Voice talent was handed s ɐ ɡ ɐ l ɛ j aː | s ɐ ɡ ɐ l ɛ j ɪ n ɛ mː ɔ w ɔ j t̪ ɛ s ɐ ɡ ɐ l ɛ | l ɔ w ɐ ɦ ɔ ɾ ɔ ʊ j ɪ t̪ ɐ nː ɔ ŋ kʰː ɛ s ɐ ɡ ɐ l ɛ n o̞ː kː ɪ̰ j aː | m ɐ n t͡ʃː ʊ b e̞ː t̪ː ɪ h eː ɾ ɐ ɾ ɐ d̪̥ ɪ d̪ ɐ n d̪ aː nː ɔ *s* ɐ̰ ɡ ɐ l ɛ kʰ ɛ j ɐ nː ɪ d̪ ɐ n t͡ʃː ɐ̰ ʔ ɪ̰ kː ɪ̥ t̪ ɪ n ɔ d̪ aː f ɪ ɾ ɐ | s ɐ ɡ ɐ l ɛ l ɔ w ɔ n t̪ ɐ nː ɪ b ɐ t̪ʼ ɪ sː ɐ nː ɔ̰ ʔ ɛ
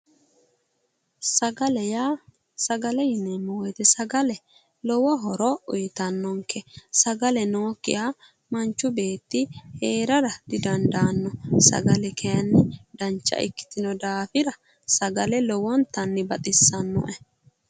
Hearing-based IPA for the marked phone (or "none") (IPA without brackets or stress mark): s